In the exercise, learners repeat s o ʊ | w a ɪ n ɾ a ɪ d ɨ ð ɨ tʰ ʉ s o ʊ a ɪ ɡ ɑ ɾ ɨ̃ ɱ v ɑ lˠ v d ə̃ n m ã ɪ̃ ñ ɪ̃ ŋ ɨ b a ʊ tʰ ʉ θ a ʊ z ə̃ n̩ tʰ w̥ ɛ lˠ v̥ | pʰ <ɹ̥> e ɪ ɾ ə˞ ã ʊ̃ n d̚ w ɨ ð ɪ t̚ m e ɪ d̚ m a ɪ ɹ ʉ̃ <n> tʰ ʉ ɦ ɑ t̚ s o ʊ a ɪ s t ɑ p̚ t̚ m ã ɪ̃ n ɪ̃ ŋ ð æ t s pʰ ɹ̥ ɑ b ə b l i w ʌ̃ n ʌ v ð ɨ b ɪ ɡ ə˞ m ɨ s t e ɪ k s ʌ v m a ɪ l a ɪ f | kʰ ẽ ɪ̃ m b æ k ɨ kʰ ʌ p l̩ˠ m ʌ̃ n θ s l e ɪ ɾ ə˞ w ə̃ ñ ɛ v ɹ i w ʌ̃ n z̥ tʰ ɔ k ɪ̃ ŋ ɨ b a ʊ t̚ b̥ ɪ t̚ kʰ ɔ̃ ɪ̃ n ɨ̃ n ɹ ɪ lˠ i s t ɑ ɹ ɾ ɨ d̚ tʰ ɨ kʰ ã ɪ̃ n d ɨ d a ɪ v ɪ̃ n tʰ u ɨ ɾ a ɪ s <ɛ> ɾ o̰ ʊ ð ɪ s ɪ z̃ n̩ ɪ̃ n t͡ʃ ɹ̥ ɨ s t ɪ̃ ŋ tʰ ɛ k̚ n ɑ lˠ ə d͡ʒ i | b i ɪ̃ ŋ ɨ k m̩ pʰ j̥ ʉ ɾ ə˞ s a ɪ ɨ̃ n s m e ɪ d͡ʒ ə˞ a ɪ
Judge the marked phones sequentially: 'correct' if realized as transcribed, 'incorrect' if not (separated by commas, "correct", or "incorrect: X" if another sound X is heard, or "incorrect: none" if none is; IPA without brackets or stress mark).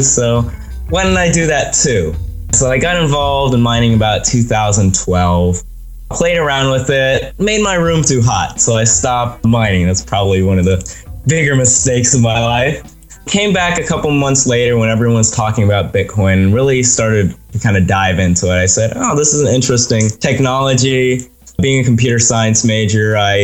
incorrect: l̥, incorrect: m, correct